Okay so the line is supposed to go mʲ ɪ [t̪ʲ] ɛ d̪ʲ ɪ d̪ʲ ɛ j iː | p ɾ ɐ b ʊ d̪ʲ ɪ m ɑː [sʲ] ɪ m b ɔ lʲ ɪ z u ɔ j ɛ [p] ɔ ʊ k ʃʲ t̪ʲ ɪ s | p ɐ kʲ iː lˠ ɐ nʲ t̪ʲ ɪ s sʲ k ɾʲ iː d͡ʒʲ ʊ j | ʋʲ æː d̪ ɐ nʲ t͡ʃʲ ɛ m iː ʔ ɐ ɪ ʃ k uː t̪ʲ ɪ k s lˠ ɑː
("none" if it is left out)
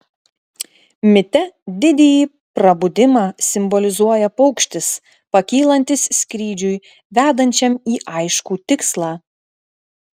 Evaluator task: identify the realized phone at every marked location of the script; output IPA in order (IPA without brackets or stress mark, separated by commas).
t̪ʲ, sʲ, p